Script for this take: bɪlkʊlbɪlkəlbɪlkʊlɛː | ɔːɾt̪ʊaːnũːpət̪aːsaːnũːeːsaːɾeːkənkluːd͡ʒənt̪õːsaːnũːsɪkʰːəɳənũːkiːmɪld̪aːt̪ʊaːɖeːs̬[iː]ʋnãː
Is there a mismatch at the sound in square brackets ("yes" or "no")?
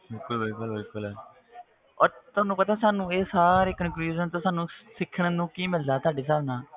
yes